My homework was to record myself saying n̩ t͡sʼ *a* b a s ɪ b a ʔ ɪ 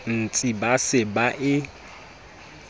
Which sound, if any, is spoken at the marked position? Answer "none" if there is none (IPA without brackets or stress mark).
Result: i